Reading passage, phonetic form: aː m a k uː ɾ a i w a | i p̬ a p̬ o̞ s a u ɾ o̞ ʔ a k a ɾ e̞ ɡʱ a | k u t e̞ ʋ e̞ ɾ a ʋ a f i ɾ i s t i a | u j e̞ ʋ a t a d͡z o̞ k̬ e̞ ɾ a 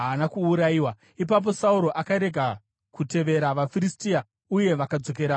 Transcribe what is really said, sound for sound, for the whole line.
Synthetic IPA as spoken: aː n a k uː ɾ a i w a | i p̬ a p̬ o̞ s a u ɾ o̞ ʔ a k a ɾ e̞ ɡʱ a | k u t e̞ ʋ e̞ ɾ a ʋ a f i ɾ i s t i a | u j e̞ ʋ a k a d͡z o̞ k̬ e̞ ɾ a

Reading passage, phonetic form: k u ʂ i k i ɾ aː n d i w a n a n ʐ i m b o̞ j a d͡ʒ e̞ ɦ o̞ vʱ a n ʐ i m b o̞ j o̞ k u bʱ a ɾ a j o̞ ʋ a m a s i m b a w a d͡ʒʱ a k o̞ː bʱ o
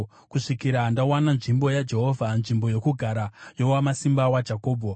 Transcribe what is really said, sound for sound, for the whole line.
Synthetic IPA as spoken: k u ʂ i k i ɾ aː n d a w a n a n ʐ i m b o̞ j a d͡ʒ e̞ ɦ o̞ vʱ a n ʐ i m b o̞ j o̞ k u ɡʱ a ɾ a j o̞ w a m a s i m b a w a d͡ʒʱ a k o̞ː bʱ o

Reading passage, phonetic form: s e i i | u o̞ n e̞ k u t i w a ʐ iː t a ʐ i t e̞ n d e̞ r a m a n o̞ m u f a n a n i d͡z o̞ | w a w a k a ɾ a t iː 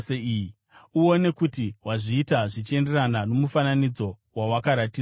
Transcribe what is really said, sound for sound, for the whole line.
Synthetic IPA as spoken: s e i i | u o̞ n e̞ k u t i w a ʐ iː t a ʐ i t͡ʃ e̞ n d e̞ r a n a n o̞ m u f a n a n i d͡z o̞ | w a w a k a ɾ a t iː

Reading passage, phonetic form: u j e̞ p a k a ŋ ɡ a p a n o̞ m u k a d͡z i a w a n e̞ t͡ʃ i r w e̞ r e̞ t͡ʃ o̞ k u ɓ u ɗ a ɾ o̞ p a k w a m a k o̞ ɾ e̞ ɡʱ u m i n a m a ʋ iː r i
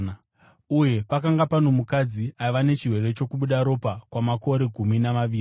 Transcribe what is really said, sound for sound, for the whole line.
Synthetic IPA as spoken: u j e̞ p a k a ŋ ɡ a p a n o̞ m u k a d͡z i a ʋ a n e̞ t͡ʃ i r w e̞ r e̞ t͡ʃ o̞ k u ɓ u ɗ a ɾ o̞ p a k w a m a k o̞ ɾ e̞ ɡʱ u m i n a m a ʋ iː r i

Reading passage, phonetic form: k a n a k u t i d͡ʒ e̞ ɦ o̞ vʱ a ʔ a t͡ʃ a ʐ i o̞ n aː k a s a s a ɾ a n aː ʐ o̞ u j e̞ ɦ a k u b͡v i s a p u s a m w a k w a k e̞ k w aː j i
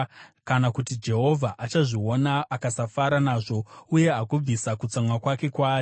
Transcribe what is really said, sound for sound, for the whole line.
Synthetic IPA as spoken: k a n a k u t i d͡ʒ e̞ ɦ o̞ vʱ a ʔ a t͡ʃ a ʐ i o̞ n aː k a s a f a ɾ a n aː ʐ o̞ u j e̞ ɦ a k u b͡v i s a k u t͡s a m w a k w a k e̞ k w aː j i

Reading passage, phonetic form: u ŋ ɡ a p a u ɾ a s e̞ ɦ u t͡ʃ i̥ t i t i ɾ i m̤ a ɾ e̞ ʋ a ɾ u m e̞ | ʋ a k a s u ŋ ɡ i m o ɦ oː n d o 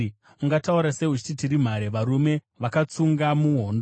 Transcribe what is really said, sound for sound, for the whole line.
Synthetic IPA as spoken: u ŋ ɡ a t a u ɾ a s e̞ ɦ u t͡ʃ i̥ t i t i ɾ i m̤ a ɾ e̞ ʋ a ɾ u m e̞ | ʋ a k a t͡s u ŋ ɡ a m u ɦ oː n d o

